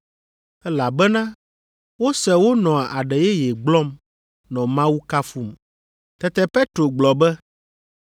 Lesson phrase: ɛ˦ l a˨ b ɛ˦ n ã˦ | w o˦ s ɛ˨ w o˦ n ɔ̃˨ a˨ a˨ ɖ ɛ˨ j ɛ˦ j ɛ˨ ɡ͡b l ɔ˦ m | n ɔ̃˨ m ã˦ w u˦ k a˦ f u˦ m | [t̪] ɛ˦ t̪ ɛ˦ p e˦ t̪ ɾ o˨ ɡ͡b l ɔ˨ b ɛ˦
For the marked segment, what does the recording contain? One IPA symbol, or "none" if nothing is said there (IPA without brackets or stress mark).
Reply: t̪